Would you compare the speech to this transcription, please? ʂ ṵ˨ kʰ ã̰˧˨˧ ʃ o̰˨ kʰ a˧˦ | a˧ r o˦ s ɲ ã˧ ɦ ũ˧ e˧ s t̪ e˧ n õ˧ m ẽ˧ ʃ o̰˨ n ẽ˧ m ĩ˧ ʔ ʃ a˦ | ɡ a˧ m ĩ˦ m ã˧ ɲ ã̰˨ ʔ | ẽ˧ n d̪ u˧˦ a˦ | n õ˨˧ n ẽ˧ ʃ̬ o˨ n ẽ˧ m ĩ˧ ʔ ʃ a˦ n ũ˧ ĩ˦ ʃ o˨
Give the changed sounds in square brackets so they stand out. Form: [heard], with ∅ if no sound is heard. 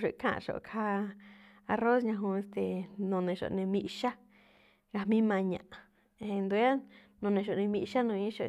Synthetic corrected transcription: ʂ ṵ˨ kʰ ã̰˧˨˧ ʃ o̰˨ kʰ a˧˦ | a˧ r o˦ s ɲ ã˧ ɦ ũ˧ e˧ s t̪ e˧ n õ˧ [n] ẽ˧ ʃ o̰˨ n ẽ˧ m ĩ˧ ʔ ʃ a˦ | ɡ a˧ m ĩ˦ m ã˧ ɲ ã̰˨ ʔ | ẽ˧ n d̪ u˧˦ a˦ | n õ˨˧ n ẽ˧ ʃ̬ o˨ n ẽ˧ m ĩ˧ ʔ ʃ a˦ n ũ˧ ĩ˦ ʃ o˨